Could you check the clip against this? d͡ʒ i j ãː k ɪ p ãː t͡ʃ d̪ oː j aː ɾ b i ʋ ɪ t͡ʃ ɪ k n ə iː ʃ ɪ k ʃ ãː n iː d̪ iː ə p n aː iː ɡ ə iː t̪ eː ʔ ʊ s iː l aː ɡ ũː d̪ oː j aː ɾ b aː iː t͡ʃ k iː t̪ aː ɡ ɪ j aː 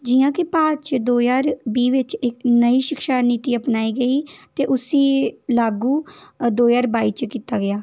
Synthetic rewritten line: d͡ʒ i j ãː k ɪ p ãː t͡ʃ d̪ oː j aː ɾ b iː ʋ ɪ t͡ʃ ɪ k n ə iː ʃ ɪ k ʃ aː n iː t̪ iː ə p n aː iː ɡ ə iː t̪ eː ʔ ʊ s iː l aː ɡ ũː d̪ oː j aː ɾ b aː iː t͡ʃ k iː t̪ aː ɡ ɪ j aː

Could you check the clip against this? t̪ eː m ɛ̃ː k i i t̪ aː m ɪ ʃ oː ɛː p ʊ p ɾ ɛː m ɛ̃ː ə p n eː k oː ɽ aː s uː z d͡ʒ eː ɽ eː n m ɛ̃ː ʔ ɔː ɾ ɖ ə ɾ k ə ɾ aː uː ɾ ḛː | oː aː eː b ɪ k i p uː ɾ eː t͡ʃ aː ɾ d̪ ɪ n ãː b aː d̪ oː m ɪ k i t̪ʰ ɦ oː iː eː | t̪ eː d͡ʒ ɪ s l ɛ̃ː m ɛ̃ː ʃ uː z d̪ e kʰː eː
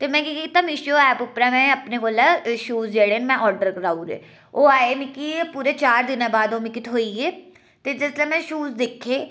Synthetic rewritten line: t̪ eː m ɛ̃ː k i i t̪ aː m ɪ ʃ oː ɛː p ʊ p ɾ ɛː m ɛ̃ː ə p n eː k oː l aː ʃ uː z d͡ʒ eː ɽ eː n m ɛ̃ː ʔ ɔː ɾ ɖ ə ɾ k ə ɾ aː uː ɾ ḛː | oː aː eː m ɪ k i p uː ɾ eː t͡ʃ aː ɾ d̪ ɪ n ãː b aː d̪ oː m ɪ k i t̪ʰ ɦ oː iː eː | t̪ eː d͡ʒ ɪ s l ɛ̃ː m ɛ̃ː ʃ uː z d̪ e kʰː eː

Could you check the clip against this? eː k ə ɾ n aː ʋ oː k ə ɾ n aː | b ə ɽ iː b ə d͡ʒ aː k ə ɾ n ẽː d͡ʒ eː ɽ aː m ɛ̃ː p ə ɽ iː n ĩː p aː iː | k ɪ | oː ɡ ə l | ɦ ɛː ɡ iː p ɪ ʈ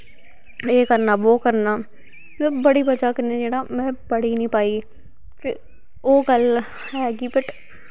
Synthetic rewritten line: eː k ə ɾ n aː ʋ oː k ə ɾ n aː | b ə ɽ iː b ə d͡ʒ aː k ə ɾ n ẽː d͡ʒ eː ɽ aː m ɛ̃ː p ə ɽ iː n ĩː p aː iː | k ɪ | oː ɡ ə l | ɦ ɛː ɡ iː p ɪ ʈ

